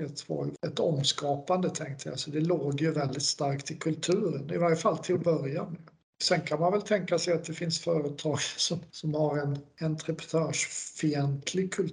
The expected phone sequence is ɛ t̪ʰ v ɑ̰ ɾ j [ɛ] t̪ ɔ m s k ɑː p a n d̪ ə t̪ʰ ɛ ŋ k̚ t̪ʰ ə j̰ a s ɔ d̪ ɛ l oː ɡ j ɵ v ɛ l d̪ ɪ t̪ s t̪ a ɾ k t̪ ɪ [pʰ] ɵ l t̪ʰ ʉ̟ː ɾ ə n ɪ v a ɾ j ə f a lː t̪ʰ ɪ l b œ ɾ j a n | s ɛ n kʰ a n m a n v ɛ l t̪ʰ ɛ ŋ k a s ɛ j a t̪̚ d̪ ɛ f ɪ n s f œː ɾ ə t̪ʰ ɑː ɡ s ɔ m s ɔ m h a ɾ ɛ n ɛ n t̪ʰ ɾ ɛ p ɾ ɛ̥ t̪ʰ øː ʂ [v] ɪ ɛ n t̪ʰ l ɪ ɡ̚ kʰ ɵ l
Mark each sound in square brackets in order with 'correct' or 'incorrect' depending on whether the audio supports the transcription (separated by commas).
correct, incorrect, incorrect